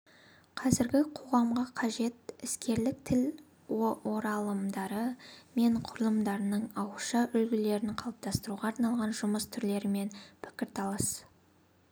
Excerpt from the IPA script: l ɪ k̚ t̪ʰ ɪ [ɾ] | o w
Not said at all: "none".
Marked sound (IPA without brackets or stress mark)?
l